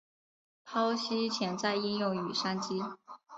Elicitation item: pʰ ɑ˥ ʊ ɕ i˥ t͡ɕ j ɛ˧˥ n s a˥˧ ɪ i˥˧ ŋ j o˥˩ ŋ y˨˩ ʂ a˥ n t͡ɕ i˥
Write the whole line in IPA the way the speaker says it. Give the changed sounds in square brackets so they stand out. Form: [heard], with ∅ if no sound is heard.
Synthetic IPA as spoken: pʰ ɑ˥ ʊ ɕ i˥ [t͡ɕʰ] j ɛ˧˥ n [t͡s] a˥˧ ɪ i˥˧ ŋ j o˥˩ ŋ y˨˩ ʂ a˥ n t͡ɕ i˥